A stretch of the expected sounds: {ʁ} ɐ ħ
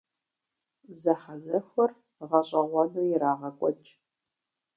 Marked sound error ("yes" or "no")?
yes